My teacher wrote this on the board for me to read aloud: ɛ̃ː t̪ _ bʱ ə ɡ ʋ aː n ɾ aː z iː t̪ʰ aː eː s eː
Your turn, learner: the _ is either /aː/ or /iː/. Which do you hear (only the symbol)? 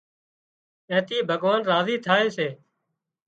iː